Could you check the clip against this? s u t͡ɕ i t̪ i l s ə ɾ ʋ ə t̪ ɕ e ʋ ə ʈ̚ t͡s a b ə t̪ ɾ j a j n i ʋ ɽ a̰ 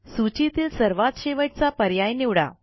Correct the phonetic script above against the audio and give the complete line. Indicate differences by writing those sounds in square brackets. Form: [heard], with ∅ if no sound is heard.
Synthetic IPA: s u t͡ɕ i t̪ [iː] l s ə ɾ ʋ [a] t̪ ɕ e ʋ ə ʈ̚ t͡s a [p] ə [∅] ɾ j a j n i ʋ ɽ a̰